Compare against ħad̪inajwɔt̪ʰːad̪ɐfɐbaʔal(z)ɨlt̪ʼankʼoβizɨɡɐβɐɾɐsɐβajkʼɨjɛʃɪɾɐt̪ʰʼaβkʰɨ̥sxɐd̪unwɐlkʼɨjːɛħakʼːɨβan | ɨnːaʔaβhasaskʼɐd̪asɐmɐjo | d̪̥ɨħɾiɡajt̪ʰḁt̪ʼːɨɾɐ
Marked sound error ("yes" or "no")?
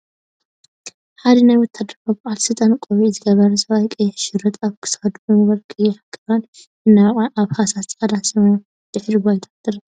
yes